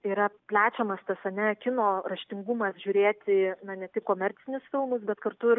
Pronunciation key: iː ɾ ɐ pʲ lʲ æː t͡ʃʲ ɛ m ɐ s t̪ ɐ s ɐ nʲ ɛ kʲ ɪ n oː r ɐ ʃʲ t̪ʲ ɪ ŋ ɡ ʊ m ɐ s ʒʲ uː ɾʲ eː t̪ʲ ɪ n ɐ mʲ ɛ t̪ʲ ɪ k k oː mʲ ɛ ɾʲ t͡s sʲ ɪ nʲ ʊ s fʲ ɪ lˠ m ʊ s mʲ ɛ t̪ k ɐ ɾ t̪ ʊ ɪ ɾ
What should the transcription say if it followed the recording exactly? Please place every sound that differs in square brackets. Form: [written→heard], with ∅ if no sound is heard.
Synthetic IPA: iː ɾ ɐ pʲ lʲ æː t͡ʃʲ ɛ m ɐ s t̪ ɐ s ɐ nʲ ɛ kʲ ɪ n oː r ɐ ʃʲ t̪ʲ ɪ ŋ ɡ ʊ m ɐ s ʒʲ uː ɾʲ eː t̪ʲ ɪ n ɐ [mʲ→nʲ] ɛ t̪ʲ ɪ k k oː mʲ ɛ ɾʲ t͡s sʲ ɪ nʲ ʊ s fʲ ɪ lˠ m ʊ s [mʲ→bʲ] ɛ t̪ k ɐ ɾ t̪ ʊ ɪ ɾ